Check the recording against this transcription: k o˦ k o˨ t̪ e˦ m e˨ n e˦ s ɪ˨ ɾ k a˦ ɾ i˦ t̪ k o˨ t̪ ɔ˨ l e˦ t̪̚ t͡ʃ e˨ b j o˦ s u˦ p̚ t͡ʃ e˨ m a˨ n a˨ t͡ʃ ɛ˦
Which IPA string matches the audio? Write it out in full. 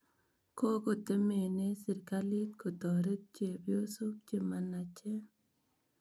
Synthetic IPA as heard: k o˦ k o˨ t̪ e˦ m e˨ n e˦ s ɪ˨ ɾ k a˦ l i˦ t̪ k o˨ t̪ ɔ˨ ɾ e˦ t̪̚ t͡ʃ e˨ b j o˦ s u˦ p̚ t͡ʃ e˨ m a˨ n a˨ t͡ʃ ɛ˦